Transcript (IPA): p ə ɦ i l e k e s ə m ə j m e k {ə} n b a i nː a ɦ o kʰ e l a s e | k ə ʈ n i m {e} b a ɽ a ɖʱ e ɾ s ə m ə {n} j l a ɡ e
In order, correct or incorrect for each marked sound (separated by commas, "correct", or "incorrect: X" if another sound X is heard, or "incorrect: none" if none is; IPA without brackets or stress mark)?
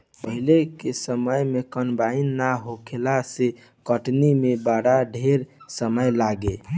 correct, correct, incorrect: none